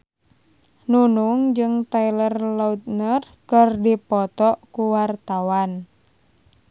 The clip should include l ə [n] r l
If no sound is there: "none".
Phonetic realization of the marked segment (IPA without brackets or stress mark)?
none